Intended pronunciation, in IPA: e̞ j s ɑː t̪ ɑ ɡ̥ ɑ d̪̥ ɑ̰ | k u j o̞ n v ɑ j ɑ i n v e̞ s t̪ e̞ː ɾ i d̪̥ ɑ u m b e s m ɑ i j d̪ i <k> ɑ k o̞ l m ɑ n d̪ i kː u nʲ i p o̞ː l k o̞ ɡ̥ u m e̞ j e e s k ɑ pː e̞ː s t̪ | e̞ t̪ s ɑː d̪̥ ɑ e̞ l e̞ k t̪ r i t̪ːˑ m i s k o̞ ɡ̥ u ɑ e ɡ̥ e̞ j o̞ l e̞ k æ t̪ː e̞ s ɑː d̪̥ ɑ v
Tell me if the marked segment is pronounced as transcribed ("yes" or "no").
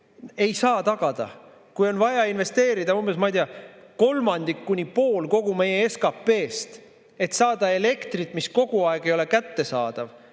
no